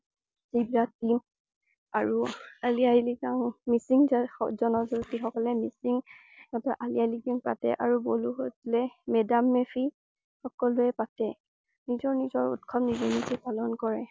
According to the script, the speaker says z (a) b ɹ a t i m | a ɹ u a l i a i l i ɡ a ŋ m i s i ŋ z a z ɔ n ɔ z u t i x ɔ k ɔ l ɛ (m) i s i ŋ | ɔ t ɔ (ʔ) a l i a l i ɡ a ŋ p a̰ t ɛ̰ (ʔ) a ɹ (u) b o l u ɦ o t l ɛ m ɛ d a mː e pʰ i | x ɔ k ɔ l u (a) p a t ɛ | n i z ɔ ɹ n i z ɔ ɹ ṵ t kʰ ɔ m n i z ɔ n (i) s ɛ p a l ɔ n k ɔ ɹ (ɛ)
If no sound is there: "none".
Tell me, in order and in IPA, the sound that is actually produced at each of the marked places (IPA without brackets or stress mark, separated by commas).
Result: i, m, ʔ, ʔ, u, ɛ, i, ɛ